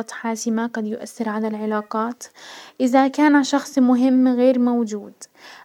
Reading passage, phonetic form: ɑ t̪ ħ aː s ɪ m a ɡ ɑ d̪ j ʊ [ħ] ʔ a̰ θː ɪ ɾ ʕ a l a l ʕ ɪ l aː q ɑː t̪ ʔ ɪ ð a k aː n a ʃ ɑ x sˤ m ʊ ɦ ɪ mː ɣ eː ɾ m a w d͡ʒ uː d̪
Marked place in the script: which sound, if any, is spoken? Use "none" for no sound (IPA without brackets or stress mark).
none